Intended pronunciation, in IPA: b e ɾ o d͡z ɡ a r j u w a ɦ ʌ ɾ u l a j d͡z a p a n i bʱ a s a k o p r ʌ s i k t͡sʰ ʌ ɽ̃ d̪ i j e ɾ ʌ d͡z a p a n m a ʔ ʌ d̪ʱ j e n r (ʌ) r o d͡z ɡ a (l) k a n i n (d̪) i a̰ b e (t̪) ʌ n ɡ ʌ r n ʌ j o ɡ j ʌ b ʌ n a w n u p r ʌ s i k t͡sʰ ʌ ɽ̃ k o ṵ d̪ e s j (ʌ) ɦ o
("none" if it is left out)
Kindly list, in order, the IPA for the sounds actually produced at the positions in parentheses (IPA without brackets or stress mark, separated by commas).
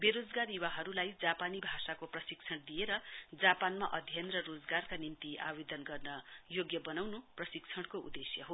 ʌ, r, t̪, d̪, ʌ